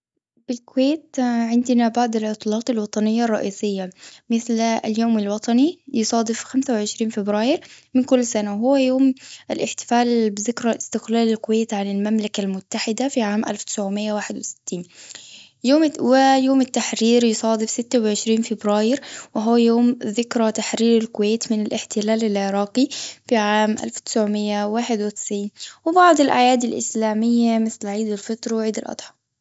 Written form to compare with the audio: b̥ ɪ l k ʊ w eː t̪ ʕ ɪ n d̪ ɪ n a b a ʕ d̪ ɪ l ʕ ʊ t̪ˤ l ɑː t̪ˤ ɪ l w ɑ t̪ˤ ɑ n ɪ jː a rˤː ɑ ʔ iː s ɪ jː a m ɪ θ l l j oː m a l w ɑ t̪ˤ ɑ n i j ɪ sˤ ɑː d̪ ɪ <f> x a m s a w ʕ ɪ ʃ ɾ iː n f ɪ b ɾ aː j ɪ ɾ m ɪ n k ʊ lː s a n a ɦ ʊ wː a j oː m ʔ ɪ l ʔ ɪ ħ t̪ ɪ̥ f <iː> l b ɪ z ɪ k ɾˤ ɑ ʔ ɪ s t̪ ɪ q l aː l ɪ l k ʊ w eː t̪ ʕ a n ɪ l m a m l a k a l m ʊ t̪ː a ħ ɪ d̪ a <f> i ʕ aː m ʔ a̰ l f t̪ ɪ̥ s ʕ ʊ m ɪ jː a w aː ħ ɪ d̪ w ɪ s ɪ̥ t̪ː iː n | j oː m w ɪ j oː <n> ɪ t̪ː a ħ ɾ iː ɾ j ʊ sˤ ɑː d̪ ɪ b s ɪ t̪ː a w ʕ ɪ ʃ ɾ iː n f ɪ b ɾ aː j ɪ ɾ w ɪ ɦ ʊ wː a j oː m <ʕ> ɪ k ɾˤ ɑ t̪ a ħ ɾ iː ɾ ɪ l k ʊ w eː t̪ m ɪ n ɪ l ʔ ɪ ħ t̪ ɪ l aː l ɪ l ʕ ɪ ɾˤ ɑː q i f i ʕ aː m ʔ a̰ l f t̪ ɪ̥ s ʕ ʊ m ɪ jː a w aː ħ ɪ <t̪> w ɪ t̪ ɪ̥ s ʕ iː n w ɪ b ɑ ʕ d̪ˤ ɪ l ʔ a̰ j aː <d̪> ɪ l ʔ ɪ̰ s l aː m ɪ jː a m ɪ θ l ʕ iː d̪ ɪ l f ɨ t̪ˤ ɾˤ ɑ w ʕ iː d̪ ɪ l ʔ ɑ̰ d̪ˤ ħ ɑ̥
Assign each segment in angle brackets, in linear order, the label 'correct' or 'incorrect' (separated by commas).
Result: correct, incorrect, correct, incorrect, incorrect, incorrect, correct